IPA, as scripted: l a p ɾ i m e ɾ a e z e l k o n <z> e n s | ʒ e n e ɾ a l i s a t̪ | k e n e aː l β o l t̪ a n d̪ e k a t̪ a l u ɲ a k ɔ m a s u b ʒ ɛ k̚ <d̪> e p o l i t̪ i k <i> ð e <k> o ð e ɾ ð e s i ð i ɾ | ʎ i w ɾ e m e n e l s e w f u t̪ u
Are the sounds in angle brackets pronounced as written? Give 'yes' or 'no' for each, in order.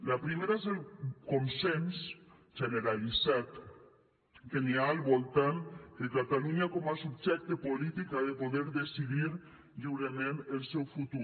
no, no, no, no

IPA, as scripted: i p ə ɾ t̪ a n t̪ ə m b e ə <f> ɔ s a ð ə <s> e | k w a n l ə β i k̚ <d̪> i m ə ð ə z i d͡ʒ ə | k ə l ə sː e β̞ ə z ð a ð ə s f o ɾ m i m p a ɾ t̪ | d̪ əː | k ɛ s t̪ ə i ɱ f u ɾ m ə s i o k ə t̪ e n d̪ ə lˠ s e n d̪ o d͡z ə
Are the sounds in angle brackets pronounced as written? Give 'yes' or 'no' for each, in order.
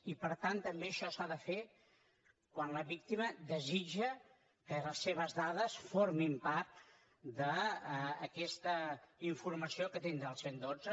no, no, no

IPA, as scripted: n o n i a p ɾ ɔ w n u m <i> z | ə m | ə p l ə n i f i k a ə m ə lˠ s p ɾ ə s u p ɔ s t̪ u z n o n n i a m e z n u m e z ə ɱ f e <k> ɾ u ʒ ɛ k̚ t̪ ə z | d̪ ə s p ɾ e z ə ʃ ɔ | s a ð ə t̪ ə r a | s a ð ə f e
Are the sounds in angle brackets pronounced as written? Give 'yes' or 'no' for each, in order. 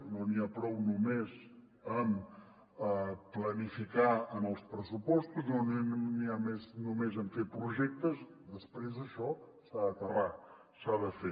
no, no

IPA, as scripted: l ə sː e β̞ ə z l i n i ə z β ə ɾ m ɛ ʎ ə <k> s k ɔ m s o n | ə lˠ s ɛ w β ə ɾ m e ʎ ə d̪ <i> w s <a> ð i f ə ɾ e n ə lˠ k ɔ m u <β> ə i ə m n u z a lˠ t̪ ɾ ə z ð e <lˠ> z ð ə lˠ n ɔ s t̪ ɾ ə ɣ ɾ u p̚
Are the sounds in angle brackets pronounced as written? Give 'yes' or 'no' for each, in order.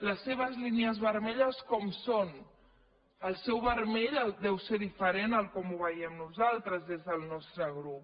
no, no, no, yes, no

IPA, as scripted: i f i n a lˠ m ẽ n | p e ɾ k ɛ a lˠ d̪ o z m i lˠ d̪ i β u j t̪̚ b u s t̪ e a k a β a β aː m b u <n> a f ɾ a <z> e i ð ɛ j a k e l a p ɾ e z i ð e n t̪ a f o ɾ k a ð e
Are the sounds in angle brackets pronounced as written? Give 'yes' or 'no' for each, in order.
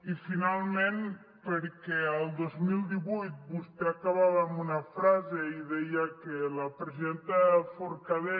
yes, yes

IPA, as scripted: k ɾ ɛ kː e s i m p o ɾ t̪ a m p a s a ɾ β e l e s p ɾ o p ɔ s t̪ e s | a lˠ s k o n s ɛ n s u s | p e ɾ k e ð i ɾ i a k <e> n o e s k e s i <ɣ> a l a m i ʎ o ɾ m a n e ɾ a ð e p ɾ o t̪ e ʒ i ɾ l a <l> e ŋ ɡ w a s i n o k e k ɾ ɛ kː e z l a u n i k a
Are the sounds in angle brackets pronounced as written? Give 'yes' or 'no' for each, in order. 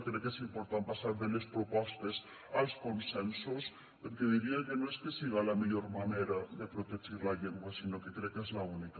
yes, yes, no

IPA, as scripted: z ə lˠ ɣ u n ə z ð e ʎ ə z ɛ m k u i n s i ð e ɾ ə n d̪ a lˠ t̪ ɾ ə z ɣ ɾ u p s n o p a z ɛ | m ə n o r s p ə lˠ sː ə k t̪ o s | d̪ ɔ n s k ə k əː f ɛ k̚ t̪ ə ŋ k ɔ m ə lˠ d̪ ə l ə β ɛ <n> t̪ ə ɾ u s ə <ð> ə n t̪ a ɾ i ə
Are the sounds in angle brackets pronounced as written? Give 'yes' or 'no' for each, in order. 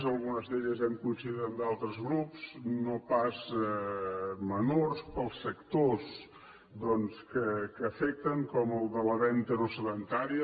yes, yes

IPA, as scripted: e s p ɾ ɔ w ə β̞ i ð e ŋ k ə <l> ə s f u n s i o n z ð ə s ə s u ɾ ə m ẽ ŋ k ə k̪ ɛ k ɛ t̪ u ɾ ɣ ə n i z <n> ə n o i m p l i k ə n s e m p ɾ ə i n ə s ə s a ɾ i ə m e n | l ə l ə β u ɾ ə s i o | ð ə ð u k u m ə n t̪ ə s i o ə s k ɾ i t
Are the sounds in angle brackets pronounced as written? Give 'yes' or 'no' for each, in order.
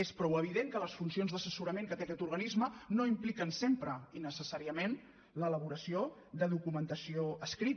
yes, no

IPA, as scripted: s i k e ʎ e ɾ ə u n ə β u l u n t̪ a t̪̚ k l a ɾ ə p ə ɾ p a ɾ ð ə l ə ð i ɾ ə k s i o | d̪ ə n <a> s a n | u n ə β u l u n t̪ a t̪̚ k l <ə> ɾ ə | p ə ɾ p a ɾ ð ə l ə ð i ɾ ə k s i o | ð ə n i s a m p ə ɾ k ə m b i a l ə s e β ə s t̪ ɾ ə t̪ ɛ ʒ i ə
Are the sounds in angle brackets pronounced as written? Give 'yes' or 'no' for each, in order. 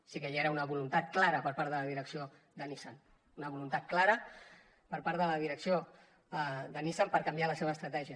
no, no

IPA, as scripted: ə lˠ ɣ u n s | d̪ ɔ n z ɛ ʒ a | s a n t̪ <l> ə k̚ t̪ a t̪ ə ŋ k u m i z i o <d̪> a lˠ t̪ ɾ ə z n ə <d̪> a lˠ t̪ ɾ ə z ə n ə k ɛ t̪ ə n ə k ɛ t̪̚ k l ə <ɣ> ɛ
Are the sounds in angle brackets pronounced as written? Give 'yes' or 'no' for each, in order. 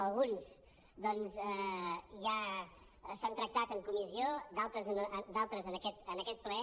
no, yes, yes, no

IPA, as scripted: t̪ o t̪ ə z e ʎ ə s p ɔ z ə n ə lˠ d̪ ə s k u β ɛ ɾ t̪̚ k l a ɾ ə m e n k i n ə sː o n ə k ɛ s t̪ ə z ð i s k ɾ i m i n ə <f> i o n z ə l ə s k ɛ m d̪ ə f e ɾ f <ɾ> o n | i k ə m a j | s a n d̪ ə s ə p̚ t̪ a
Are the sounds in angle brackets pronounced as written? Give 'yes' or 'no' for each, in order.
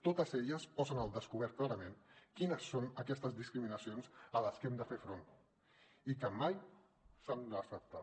no, yes

